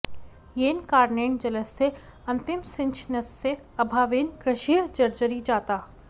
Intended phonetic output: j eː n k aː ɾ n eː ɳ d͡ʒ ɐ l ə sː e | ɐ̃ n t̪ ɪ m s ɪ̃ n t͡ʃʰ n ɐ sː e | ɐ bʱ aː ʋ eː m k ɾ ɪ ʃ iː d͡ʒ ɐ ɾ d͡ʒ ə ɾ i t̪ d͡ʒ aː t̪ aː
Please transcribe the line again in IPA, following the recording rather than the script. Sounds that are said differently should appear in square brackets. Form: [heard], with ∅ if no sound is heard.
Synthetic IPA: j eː n k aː ɾ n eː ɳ d͡ʒ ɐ l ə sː e | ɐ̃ n t̪ ɪ m s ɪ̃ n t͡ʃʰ n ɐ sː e | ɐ bʱ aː ʋ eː [n] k ɾ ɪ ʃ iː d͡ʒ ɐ ɾ d͡ʒ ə ɾ i [∅] d͡ʒ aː t̪ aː